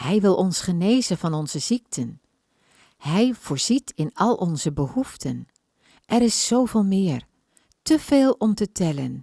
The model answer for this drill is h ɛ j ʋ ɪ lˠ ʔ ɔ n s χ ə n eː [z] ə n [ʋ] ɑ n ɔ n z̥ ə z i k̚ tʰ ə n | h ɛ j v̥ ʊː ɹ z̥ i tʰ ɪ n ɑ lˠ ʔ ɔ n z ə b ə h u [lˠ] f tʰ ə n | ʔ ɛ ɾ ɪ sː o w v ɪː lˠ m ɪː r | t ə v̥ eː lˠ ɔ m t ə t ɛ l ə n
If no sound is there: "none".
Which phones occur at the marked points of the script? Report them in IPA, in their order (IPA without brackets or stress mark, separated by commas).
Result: z, v, none